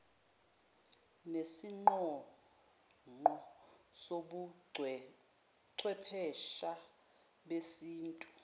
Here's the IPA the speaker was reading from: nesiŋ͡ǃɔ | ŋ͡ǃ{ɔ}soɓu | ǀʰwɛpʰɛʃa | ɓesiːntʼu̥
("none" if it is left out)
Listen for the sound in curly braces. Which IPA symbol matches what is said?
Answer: ɔ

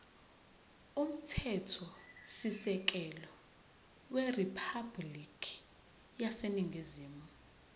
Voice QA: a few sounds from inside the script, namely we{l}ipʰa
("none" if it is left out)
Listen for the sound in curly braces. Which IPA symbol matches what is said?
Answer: r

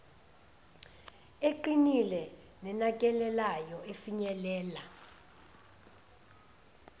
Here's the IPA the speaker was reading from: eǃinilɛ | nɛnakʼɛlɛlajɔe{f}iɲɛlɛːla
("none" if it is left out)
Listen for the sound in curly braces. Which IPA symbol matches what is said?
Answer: f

